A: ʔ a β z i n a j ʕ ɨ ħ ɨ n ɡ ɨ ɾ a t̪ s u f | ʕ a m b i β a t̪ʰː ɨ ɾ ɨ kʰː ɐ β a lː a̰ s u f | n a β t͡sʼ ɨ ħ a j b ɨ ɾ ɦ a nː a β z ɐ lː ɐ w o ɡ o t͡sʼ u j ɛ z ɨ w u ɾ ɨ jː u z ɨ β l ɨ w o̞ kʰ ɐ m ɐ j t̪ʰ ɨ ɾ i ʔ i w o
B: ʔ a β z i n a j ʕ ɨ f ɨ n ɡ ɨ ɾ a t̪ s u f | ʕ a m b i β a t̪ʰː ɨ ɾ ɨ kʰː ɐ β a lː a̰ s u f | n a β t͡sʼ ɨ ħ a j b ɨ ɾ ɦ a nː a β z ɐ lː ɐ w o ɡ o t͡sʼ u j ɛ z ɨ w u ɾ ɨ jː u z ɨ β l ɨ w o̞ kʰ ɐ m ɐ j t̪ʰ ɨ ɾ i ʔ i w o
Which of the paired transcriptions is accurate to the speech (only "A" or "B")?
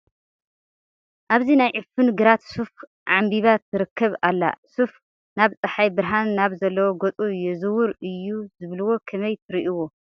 B